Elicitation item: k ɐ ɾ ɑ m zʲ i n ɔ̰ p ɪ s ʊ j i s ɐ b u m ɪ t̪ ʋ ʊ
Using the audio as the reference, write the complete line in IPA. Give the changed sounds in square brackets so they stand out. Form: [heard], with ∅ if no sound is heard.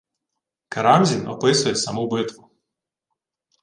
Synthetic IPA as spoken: k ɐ ɾ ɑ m zʲ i n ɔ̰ p ɪ s ʊ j [ɛ] s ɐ [m] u [b] ɪ t̪ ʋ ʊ